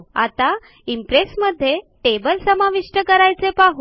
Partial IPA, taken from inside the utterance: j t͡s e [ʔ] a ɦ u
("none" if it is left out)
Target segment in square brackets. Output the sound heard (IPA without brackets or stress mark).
p